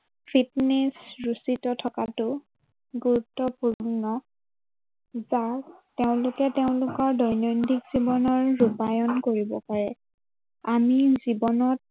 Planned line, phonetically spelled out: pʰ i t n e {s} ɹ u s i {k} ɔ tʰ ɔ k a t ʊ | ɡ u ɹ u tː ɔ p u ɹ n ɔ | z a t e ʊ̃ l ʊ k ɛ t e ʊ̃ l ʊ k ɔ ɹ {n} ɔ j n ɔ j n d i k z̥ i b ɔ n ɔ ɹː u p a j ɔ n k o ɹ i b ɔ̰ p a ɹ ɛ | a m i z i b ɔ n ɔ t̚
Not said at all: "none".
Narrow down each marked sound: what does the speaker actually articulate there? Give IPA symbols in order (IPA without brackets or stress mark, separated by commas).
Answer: s, t, d